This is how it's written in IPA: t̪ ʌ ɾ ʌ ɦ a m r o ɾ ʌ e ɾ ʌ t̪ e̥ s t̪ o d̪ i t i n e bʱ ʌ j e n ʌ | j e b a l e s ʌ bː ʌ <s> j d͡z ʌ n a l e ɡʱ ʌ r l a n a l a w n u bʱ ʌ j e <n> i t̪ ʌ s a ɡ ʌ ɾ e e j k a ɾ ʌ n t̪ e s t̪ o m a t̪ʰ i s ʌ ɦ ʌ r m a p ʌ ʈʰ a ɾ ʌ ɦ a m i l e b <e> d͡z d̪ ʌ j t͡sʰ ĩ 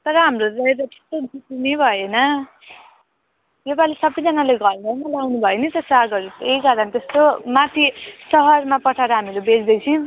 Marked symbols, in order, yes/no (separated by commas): no, yes, yes